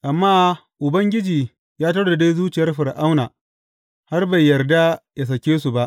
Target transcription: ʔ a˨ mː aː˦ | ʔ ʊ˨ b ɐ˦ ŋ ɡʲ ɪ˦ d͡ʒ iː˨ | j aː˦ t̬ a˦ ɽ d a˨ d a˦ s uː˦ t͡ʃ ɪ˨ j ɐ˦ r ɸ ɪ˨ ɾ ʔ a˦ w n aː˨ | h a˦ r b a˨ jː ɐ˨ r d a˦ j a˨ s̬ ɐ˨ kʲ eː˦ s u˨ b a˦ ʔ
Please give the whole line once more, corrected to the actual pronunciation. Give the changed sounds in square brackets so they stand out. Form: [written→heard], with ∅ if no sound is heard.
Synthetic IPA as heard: ʔ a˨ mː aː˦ | ʔ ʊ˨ b ɐ˦ ŋ ɡʲ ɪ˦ d͡ʒ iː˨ | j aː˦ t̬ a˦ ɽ d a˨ d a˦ [s→z] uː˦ t͡ʃ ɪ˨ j ɐ˦ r ɸ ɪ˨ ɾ ʔ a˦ w n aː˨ | h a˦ r b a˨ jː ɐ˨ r d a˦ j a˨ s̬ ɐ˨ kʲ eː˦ s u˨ b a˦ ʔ